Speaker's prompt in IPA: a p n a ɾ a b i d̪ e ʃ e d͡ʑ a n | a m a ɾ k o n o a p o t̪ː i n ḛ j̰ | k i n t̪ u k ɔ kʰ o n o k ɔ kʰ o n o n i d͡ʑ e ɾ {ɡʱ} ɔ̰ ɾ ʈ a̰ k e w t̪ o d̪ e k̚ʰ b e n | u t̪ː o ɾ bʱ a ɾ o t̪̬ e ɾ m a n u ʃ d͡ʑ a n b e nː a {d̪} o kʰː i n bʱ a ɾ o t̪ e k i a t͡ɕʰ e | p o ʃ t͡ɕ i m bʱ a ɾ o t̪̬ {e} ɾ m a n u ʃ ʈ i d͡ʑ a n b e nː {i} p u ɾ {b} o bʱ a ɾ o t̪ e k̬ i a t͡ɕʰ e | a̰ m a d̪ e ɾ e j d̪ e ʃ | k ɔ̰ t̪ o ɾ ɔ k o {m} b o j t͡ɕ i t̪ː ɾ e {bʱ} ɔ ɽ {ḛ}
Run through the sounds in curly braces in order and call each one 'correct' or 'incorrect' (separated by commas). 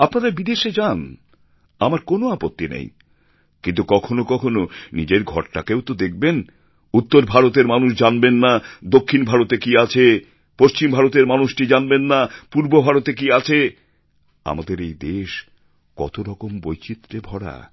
correct, correct, correct, incorrect, correct, correct, correct, incorrect